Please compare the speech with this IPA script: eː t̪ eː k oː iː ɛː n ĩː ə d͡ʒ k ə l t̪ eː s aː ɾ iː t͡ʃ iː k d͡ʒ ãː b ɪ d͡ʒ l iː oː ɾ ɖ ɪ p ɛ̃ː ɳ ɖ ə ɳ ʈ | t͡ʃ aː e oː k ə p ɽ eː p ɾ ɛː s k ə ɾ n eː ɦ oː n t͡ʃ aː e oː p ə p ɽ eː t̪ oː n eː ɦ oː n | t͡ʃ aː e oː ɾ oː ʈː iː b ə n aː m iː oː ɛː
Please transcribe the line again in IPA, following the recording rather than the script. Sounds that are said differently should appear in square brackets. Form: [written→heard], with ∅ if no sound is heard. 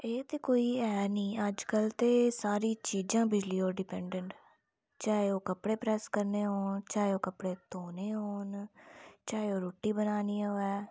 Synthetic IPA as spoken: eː t̪ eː k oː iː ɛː n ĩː ə d͡ʒ k ə l t̪ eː s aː ɾ iː t͡ʃ iː [k→∅] d͡ʒ ãː b ɪ d͡ʒ l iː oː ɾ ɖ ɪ p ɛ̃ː ɳ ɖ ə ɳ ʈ | t͡ʃ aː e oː k ə p ɽ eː p ɾ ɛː s k ə ɾ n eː ɦ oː n t͡ʃ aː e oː [p→k] ə p ɽ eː t̪ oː n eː ɦ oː n | t͡ʃ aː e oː ɾ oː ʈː iː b ə n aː [m→n] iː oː ɛː